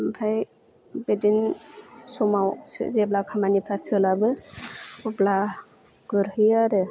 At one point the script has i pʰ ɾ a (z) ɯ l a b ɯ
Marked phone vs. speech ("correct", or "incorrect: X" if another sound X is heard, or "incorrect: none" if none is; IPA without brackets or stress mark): incorrect: s